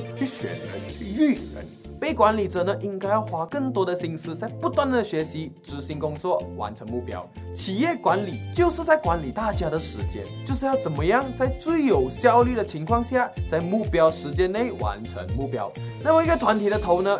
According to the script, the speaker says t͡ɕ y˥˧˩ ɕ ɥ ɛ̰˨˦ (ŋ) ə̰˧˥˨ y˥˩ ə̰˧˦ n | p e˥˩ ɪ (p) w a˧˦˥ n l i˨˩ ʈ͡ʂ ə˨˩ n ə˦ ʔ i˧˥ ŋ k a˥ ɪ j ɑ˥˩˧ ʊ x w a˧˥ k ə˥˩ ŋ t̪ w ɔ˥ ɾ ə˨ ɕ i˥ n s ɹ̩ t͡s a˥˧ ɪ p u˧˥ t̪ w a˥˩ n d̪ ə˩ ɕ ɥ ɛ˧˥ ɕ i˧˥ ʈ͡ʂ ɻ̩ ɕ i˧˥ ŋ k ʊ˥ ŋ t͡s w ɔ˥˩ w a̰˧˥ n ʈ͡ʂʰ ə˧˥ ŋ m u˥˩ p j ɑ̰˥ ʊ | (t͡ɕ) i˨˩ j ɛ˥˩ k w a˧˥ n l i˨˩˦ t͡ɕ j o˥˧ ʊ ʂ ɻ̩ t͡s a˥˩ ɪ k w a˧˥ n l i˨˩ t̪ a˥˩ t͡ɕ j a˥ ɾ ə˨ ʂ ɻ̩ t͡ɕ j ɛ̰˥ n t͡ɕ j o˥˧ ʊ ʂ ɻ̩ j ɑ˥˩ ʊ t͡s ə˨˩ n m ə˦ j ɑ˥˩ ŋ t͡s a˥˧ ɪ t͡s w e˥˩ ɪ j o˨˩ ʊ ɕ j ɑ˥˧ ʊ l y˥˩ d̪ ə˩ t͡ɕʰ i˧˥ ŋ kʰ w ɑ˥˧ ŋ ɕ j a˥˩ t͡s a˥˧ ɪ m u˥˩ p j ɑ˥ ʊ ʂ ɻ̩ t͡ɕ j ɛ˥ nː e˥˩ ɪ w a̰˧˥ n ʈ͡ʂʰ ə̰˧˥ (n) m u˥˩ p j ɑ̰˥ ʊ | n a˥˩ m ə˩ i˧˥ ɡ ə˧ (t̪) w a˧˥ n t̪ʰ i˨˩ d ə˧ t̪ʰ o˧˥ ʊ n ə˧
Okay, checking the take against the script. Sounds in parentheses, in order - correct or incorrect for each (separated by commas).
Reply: incorrect, incorrect, incorrect, incorrect, incorrect